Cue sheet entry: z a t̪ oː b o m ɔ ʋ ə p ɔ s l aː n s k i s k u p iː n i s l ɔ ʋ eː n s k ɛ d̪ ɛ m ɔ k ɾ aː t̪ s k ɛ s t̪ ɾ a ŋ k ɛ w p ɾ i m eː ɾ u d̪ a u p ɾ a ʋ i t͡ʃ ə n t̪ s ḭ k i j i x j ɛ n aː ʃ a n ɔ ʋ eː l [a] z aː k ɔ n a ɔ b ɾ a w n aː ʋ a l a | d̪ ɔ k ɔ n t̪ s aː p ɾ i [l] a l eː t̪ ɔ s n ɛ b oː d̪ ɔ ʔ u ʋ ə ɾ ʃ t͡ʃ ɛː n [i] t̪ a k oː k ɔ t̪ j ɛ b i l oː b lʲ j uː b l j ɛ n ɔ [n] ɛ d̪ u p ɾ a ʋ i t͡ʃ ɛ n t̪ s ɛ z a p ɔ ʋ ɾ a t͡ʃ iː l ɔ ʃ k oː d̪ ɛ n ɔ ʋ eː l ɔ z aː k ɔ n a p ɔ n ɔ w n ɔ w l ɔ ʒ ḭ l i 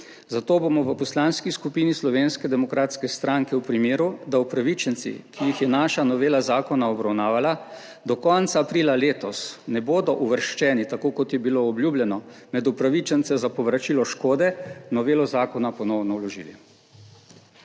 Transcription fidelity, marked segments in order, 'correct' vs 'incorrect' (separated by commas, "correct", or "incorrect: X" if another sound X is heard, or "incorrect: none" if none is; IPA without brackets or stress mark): correct, correct, correct, incorrect: m